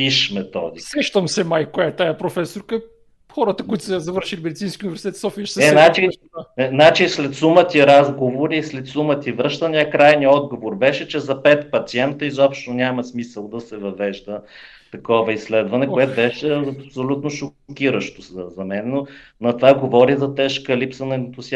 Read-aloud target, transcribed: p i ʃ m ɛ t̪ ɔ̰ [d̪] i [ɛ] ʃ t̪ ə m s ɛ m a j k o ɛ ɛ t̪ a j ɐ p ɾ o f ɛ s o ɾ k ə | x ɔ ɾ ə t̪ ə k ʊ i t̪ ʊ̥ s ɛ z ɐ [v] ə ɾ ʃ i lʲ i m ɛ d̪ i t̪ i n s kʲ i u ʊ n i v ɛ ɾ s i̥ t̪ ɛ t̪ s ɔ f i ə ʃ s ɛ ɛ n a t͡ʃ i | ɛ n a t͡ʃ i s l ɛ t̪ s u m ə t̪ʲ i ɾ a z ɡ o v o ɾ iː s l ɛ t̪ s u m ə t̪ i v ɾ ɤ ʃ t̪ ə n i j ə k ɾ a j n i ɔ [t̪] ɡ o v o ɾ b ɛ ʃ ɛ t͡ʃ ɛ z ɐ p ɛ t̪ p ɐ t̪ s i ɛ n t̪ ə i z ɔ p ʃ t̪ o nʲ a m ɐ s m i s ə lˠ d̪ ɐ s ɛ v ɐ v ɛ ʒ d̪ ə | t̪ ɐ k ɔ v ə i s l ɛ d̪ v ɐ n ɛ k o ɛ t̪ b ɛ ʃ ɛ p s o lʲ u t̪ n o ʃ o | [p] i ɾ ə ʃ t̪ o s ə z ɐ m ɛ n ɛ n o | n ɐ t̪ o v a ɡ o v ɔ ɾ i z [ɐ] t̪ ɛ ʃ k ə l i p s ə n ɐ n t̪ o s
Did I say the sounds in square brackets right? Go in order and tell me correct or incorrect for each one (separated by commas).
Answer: correct, correct, correct, incorrect, incorrect, correct